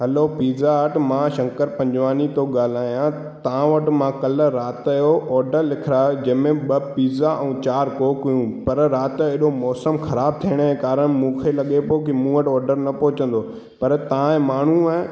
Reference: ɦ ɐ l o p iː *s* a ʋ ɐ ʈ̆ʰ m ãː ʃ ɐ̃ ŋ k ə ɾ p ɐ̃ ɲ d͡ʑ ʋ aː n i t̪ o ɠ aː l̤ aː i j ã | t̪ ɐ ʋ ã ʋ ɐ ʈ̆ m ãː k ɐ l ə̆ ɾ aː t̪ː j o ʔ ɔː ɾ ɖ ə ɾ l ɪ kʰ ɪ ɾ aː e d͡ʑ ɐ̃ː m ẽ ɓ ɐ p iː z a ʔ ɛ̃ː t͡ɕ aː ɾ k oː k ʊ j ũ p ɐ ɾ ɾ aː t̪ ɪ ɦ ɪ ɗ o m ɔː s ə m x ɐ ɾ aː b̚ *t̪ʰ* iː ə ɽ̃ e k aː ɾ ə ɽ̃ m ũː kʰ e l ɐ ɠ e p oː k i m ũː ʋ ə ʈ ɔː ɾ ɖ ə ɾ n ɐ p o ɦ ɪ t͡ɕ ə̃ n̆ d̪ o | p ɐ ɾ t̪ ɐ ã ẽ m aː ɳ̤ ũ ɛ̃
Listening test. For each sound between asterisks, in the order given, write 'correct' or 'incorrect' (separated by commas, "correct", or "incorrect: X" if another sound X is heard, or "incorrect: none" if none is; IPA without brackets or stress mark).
incorrect: z, correct